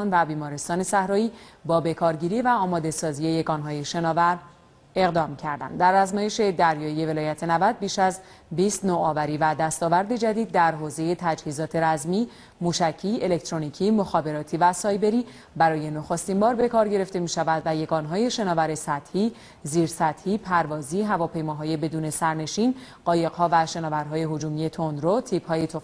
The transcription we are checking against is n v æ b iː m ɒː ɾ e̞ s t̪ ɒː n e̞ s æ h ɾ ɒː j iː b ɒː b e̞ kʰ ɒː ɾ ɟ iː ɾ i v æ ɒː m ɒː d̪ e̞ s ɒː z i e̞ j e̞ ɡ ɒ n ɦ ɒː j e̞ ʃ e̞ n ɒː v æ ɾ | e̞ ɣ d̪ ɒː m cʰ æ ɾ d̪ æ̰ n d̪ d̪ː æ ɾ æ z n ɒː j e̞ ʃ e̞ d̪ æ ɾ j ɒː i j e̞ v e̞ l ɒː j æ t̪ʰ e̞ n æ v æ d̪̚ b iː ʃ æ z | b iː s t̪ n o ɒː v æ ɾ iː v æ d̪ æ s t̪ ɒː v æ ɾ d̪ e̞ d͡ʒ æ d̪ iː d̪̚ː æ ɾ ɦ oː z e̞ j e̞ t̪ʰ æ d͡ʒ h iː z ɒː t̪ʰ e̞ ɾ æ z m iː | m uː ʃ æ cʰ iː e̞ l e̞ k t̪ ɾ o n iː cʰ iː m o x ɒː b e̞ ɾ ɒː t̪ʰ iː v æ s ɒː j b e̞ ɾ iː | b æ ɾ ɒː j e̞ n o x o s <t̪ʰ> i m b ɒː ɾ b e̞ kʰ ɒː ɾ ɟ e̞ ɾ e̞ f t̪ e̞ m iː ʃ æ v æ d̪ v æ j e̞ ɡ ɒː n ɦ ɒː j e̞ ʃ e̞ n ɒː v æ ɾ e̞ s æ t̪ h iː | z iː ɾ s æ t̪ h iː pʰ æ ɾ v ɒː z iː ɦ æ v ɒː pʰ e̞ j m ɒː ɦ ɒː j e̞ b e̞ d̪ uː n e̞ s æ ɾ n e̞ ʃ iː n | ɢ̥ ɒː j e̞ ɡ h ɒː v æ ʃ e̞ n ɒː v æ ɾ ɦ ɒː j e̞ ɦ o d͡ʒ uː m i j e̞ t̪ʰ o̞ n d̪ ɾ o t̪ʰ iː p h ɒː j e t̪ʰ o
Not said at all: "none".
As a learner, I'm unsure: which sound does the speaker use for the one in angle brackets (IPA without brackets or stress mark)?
t̪